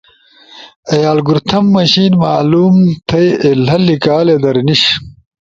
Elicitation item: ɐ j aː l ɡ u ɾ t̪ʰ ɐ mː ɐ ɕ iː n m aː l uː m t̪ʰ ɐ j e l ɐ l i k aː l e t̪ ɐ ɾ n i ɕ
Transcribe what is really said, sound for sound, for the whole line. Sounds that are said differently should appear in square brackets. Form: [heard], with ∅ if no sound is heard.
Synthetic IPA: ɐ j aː l ɡ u ɾ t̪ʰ ɐ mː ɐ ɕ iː n m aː l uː m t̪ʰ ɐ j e l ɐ l i k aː l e [d̪] ɐ ɾ n i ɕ